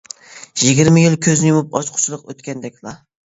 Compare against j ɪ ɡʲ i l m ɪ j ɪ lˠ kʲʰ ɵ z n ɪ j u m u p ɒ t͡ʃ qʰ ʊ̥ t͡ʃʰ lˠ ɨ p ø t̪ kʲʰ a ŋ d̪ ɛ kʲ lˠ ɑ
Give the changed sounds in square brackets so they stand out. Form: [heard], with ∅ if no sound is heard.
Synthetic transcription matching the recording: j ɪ ɡʲ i [ɾ] m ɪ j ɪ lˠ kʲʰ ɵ z n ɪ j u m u p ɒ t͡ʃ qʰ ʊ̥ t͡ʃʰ lˠ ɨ [q] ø t̪ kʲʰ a [n] d̪ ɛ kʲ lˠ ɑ